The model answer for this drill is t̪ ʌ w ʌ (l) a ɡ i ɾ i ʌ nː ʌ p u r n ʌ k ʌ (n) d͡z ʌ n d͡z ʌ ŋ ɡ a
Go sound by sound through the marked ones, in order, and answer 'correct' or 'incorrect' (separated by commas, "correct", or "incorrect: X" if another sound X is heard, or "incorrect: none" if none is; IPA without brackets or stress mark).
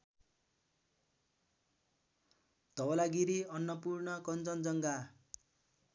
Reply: correct, correct